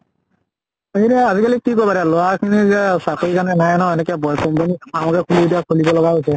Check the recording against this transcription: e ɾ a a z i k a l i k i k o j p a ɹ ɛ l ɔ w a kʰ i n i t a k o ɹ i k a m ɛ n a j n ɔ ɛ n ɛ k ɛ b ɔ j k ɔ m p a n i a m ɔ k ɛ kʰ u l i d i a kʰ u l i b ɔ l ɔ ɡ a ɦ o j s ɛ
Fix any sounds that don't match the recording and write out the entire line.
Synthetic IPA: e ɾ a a z i k a l i k i k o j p a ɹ ɛ l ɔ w a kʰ i n i s a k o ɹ i k a n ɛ n a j n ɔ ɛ n ɛ k ɛ b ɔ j k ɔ m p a n i a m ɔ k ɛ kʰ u l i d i a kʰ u l i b ɔ l ɔ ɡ a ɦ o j s ɛ